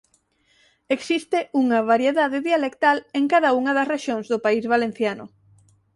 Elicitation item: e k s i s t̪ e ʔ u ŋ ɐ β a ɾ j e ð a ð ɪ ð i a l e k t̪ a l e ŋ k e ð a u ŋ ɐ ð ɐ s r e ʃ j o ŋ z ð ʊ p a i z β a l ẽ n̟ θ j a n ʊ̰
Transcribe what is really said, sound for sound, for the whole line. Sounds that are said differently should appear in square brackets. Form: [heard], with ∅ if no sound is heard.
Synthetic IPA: e k s i s t̪ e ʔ u ŋ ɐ β a ɾ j e ð a ð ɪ ð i a l e k t̪ a l e ŋ k [a] ð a u ŋ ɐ ð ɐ s r e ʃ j o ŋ z ð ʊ p a i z β a l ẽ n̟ θ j a n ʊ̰